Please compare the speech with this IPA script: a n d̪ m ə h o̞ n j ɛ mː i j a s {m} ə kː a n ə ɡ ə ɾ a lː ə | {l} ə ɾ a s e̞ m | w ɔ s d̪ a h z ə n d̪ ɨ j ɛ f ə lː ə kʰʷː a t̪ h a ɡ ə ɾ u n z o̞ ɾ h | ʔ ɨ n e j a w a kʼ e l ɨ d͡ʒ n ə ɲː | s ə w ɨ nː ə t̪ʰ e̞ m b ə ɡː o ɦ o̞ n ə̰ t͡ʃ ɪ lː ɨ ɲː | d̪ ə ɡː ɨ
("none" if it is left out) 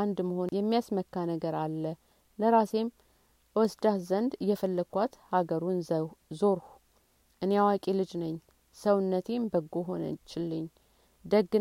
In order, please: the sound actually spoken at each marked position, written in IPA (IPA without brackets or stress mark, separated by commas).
m, l